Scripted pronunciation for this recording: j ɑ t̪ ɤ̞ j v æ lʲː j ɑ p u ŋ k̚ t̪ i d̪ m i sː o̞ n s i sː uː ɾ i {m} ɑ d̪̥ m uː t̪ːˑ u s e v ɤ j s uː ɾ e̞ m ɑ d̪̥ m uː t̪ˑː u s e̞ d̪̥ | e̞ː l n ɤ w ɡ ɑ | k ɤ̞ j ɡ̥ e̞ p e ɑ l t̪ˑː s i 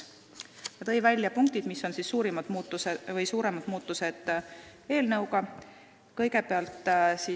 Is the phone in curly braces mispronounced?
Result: no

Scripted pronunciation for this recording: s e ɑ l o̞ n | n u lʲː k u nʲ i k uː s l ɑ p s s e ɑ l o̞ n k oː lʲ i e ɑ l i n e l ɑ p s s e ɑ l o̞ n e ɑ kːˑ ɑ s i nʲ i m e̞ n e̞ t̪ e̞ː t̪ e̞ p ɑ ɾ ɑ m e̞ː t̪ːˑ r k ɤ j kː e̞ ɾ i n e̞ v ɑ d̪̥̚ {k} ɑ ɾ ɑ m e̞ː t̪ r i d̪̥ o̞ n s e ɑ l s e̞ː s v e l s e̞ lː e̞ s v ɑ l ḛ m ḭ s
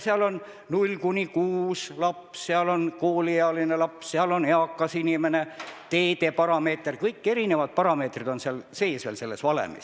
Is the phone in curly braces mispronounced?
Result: yes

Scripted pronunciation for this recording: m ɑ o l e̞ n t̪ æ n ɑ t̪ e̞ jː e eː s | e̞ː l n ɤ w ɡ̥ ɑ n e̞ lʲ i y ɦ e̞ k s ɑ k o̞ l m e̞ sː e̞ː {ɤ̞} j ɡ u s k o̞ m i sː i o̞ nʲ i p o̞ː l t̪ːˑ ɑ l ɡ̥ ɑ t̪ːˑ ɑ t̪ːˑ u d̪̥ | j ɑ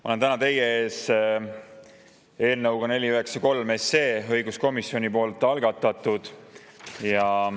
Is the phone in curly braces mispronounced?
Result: no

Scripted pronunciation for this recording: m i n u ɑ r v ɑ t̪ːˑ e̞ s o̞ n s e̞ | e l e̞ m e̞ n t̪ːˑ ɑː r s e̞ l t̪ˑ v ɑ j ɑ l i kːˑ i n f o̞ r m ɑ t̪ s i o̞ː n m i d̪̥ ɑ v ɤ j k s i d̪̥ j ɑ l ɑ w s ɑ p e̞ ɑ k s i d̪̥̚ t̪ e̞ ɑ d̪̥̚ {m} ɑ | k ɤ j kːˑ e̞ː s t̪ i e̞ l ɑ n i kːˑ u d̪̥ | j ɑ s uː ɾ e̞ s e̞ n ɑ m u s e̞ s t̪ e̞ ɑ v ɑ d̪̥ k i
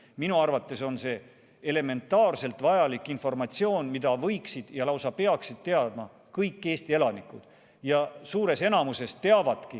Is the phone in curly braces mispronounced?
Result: no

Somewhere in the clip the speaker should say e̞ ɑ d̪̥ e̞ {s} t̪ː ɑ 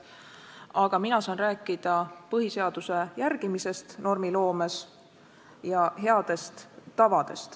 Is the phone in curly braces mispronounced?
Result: no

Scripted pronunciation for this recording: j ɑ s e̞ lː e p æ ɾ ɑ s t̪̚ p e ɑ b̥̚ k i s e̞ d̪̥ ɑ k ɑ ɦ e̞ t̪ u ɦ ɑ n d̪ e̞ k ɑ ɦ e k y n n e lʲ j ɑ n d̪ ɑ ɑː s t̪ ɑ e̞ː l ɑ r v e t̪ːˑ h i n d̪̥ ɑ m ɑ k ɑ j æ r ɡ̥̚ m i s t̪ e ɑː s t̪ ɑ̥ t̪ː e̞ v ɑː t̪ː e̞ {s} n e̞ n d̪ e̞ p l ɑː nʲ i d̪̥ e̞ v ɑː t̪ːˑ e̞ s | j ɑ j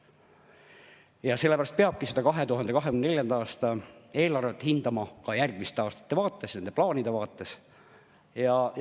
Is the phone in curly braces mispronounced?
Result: no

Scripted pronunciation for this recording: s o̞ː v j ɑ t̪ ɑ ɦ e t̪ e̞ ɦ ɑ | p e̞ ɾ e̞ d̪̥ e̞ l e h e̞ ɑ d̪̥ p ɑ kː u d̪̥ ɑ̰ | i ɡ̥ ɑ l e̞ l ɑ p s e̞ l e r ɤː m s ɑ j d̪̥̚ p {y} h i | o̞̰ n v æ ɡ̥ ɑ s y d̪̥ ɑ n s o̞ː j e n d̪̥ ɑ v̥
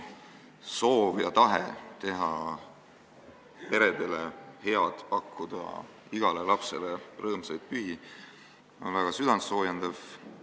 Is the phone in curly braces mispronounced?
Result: no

